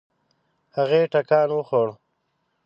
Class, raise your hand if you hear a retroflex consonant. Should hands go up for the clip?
yes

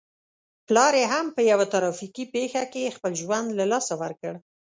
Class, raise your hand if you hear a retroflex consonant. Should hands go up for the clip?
yes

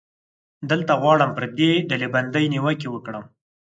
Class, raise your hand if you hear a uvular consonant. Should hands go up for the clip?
no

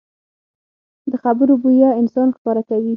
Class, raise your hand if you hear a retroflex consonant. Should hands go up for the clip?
no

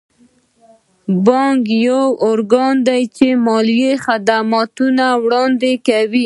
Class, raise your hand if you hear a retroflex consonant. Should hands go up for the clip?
yes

